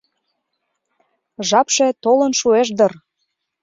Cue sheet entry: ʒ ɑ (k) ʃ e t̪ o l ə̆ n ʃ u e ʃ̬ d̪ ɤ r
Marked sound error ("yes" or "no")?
yes